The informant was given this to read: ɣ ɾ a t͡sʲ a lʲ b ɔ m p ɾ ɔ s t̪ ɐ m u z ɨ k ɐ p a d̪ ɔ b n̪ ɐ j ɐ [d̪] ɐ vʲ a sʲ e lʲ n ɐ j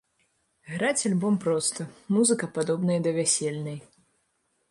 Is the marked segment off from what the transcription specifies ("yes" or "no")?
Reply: no